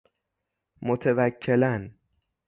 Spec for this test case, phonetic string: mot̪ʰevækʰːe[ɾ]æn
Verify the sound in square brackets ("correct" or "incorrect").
incorrect